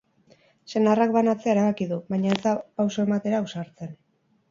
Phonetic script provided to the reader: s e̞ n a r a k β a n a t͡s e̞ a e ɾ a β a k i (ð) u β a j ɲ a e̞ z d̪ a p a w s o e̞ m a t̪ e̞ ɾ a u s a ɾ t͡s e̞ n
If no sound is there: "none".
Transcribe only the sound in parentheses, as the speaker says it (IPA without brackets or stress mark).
ð